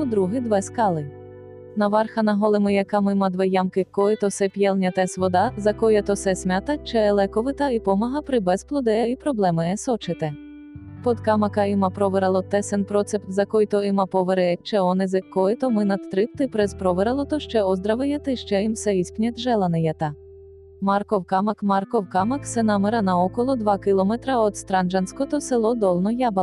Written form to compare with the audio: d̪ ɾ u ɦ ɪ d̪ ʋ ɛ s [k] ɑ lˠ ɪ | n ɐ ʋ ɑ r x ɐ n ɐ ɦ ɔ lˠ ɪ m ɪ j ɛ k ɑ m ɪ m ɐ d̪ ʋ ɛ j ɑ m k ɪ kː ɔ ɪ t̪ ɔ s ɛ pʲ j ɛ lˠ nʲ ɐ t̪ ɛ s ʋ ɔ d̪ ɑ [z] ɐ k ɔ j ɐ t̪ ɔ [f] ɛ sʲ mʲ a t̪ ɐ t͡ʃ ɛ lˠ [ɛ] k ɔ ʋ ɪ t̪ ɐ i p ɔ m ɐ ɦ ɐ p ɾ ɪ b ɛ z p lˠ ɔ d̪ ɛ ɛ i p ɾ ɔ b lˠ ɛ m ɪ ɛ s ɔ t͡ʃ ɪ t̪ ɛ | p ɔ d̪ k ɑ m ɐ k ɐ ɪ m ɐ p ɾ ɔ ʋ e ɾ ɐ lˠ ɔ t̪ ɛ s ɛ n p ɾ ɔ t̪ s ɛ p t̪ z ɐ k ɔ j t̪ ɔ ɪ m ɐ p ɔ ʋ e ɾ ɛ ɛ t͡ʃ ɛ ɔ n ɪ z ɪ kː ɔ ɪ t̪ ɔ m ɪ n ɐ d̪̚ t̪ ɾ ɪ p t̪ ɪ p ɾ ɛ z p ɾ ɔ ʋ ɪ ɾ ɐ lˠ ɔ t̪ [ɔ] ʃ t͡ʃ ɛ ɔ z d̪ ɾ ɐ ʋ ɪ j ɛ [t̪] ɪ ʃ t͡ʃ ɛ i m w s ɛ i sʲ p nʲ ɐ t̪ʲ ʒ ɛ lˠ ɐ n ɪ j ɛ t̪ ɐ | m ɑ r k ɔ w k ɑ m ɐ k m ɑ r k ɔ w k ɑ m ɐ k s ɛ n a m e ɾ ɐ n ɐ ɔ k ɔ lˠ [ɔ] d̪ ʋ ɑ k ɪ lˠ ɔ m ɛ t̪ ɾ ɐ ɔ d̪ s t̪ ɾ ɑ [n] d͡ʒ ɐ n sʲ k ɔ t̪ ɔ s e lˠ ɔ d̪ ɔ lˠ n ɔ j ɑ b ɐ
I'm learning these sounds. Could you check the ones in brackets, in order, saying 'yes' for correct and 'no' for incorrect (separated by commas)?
yes, yes, no, yes, yes, yes, yes, yes